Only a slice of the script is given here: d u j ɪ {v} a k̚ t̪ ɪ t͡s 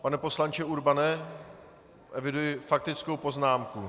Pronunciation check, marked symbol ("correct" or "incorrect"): incorrect